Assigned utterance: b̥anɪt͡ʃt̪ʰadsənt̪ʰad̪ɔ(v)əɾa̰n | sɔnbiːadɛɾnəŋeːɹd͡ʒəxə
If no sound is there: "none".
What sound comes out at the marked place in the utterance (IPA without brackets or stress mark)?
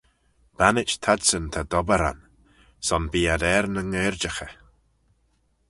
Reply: b